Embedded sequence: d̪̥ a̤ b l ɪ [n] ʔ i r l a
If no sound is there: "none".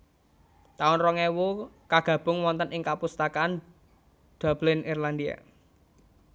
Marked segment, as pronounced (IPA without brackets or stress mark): n